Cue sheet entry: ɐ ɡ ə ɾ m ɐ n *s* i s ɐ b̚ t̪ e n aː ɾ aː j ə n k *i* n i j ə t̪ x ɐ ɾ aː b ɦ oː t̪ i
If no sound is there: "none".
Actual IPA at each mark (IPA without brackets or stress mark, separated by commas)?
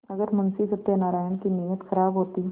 s, i